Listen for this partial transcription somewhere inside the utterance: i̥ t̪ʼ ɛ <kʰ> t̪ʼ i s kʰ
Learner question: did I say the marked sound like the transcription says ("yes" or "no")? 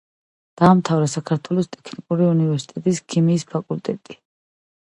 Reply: no